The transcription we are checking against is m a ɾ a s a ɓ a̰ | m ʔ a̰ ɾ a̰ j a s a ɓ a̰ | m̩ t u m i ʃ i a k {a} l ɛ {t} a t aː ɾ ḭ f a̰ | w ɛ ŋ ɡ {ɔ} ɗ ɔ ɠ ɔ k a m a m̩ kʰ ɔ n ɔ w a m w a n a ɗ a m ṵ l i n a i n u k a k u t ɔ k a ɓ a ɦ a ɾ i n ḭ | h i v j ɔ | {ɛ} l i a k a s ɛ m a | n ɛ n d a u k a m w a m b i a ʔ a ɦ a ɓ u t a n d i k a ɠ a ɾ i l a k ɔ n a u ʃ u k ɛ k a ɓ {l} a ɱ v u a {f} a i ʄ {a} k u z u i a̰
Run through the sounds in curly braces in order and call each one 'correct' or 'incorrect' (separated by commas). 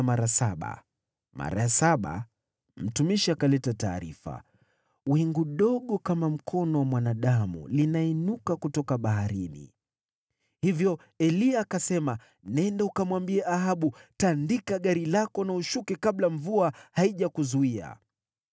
correct, correct, incorrect, correct, correct, incorrect, correct